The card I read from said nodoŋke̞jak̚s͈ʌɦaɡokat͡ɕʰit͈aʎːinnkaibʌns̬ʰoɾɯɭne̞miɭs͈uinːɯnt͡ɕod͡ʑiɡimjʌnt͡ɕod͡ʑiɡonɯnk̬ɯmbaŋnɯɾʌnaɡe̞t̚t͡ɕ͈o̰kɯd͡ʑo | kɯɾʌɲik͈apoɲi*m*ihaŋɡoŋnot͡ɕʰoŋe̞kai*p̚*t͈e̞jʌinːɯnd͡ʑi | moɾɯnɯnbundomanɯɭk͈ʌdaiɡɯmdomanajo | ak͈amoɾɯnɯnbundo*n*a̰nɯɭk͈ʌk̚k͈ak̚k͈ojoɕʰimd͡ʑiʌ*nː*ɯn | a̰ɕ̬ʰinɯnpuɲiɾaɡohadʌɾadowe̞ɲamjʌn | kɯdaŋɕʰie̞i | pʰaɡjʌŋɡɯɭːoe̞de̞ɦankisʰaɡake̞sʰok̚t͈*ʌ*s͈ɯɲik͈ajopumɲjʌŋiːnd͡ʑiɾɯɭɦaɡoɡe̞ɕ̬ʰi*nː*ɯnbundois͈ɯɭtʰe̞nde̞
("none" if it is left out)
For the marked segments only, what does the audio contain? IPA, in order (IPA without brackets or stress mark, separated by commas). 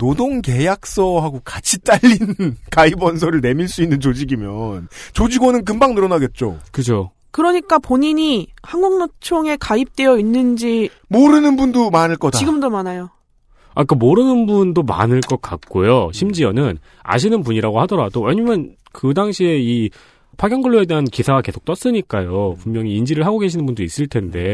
ɲ, p̚, m, n, ʌ, n